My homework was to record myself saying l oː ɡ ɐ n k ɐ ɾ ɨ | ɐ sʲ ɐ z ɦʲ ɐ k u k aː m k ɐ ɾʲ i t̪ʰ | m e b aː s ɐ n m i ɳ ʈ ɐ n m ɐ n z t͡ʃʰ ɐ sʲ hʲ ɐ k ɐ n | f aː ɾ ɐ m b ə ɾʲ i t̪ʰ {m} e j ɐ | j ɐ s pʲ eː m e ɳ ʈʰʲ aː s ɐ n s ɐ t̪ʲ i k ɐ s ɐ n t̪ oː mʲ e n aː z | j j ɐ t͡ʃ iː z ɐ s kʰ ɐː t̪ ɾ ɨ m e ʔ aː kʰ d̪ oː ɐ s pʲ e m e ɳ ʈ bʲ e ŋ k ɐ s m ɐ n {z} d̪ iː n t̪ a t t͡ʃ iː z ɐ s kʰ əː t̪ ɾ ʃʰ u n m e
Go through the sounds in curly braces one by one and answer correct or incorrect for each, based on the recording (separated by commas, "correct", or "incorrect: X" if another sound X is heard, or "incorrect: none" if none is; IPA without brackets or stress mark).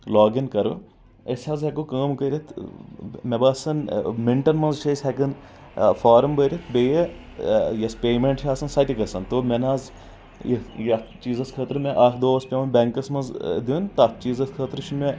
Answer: incorrect: b, correct